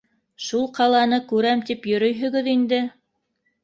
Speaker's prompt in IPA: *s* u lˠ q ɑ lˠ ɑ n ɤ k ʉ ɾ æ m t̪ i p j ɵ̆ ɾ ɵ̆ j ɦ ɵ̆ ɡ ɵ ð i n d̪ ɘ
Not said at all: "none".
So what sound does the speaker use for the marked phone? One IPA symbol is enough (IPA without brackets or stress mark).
ʃ